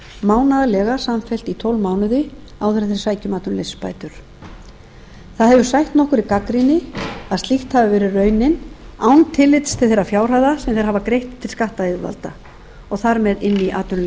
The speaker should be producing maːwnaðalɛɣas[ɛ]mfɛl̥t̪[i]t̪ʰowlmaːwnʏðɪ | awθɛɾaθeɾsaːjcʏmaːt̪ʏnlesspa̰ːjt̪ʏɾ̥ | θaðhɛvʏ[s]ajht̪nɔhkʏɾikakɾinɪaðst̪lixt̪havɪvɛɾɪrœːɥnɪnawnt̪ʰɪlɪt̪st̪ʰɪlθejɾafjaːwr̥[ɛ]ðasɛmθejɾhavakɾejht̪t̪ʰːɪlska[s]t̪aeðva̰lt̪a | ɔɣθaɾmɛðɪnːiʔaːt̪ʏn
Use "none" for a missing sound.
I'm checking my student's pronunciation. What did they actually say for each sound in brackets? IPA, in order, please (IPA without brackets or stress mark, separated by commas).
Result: a, i, s, a, h